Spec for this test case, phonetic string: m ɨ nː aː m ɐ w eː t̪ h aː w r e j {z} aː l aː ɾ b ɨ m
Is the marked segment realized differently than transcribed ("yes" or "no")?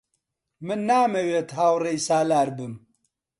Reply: yes